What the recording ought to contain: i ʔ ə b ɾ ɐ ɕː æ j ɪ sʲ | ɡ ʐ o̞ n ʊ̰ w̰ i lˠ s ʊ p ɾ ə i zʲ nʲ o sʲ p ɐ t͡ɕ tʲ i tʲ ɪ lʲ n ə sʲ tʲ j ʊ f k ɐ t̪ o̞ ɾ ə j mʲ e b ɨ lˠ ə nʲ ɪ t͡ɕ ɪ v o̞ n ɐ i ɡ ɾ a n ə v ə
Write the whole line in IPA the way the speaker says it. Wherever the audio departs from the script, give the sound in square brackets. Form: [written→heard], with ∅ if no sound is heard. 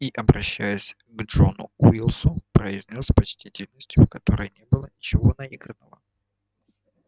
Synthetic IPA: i ʔ [ə→ɐ] b ɾ ɐ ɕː æ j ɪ sʲ | ɡ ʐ o̞ n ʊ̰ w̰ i lˠ s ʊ p ɾ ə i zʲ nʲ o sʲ p ɐ t͡ɕ tʲ i tʲ ɪ lʲ n ə sʲ tʲ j ʊ f k ɐ t̪ o̞ ɾ ə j [mʲ→nʲ] e b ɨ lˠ ə nʲ ɪ t͡ɕ ɪ v o̞ n ɐ i ɡ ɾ [a→ə] n ə v ə